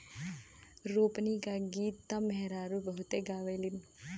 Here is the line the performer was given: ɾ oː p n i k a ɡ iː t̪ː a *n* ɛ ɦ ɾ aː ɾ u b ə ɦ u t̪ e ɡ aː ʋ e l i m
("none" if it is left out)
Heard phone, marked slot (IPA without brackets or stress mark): m